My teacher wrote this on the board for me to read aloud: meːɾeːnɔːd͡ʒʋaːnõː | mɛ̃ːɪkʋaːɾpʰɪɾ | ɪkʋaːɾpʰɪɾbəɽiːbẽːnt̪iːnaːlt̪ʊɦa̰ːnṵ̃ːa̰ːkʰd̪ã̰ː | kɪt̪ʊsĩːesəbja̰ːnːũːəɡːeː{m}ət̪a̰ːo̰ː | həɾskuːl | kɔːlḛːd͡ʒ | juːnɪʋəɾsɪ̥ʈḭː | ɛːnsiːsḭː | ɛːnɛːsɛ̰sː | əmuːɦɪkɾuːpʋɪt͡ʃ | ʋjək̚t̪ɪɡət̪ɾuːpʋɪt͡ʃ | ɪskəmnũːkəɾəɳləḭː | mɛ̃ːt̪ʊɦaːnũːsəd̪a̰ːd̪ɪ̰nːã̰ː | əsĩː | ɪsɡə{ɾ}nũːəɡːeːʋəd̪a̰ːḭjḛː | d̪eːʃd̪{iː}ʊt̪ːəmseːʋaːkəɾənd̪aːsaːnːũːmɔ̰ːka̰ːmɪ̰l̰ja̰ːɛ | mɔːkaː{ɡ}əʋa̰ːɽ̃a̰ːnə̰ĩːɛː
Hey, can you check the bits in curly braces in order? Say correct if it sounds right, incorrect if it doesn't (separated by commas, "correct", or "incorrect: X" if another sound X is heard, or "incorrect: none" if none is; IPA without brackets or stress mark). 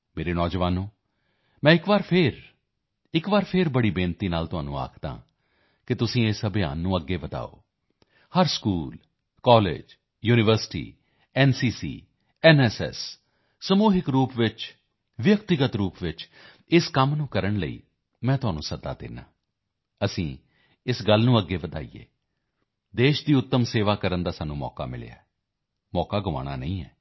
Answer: incorrect: b, incorrect: l, correct, correct